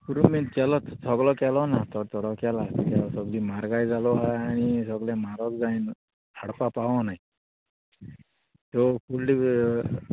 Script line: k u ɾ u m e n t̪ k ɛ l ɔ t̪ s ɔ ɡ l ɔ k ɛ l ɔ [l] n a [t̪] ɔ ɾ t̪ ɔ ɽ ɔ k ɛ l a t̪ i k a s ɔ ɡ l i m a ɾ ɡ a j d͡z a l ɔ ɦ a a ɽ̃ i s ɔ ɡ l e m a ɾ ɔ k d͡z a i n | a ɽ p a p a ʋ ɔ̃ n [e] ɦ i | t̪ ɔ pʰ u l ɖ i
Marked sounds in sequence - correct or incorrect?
incorrect: none, correct, incorrect: a

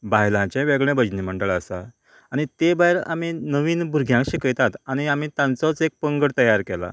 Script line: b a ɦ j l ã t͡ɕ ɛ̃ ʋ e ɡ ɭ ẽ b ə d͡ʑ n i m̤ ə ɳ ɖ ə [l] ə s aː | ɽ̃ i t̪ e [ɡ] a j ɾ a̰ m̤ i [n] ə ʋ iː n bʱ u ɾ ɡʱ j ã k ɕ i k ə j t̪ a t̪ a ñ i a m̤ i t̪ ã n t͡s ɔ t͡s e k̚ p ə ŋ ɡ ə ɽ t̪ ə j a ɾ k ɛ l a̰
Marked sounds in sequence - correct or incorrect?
incorrect: ɭ, incorrect: b, correct

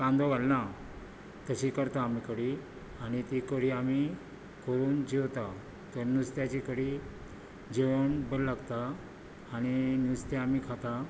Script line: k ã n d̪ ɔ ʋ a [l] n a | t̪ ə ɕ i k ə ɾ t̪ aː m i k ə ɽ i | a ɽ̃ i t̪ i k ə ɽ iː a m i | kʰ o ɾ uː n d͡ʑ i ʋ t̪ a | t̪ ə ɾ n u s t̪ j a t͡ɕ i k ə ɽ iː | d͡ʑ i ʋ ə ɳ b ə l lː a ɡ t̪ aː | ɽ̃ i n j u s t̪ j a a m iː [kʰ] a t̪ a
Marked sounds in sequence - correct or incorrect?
correct, correct

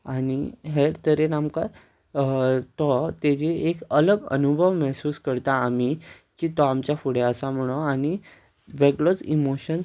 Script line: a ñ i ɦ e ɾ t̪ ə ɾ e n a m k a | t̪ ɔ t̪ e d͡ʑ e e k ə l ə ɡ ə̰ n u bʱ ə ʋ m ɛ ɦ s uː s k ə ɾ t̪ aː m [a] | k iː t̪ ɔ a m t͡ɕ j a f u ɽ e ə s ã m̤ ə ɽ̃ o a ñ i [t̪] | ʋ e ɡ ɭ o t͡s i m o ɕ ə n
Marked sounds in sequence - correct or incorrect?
incorrect: i, incorrect: none

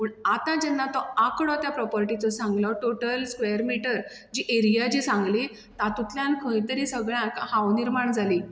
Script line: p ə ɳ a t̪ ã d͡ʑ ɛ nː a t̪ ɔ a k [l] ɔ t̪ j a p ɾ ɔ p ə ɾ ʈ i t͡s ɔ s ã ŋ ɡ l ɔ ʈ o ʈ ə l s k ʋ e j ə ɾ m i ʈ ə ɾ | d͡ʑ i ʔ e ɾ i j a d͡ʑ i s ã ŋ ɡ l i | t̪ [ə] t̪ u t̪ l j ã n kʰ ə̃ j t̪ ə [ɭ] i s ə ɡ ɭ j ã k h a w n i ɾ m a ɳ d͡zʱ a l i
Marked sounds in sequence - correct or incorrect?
incorrect: ɽ, incorrect: a, incorrect: ɾ

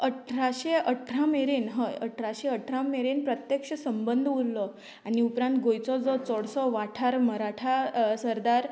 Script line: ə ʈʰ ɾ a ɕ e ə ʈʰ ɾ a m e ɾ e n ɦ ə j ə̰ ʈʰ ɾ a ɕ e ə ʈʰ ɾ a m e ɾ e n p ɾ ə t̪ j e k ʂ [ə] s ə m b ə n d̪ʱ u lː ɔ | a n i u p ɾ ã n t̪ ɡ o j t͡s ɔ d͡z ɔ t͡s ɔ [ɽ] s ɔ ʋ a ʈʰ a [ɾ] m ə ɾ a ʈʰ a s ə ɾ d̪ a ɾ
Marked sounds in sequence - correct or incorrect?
correct, correct, correct

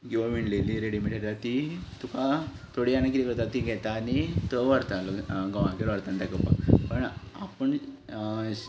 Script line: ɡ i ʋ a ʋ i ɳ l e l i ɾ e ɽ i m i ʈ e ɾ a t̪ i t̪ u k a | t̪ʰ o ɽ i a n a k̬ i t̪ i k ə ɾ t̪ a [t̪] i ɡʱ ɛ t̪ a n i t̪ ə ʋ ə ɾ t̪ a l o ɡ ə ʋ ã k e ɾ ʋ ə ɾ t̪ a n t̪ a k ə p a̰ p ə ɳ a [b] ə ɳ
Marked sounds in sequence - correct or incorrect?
correct, incorrect: p

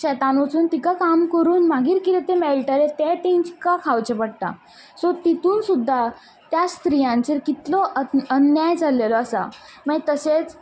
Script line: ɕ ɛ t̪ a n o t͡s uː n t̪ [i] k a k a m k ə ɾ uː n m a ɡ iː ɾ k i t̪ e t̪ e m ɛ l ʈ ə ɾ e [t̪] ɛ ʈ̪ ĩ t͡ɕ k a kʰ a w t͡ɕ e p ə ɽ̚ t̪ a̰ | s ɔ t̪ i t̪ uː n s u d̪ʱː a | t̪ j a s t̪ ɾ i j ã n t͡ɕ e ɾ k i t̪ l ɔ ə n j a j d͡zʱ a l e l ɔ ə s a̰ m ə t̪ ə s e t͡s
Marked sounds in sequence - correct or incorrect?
correct, correct

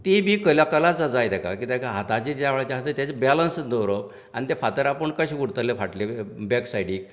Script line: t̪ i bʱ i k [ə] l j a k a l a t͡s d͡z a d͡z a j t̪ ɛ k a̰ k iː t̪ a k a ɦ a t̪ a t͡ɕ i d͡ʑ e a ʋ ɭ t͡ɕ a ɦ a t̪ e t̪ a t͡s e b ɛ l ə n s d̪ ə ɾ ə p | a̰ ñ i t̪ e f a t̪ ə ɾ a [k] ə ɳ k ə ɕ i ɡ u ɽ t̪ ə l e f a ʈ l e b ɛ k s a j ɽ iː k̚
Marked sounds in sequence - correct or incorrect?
correct, incorrect: p

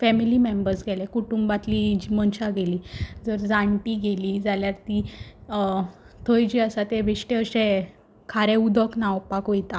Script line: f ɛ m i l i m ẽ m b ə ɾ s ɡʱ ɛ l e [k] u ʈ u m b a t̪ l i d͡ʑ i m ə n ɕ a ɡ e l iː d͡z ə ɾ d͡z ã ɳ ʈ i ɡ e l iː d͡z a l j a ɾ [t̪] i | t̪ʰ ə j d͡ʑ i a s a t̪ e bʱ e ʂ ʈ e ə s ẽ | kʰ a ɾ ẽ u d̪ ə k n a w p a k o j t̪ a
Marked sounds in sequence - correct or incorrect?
correct, correct

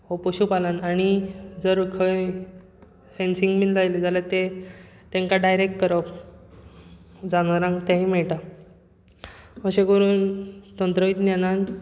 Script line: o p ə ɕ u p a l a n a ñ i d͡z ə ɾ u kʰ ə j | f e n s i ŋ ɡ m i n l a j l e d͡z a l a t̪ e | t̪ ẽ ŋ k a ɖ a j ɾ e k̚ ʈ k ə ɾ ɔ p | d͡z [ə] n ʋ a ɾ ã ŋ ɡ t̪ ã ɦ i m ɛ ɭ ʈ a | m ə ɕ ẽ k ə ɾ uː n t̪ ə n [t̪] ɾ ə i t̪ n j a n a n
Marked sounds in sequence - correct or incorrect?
incorrect: a, correct

